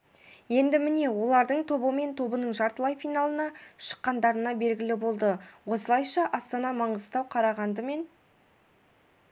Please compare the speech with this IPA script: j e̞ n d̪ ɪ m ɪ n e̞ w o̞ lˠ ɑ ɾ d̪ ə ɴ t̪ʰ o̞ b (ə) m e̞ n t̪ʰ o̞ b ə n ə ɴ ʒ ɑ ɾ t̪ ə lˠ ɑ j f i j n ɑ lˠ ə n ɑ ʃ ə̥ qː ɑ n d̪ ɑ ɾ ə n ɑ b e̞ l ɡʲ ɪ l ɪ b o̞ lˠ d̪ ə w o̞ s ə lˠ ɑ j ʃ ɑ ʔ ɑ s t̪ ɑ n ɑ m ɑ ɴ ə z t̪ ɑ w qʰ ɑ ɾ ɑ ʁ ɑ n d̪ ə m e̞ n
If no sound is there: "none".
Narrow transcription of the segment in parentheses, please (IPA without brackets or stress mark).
ə